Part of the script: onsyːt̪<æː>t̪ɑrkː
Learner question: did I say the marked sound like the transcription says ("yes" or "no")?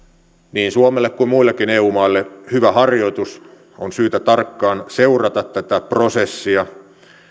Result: no